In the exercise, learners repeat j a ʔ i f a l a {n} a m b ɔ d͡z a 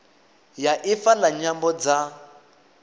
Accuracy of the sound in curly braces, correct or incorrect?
incorrect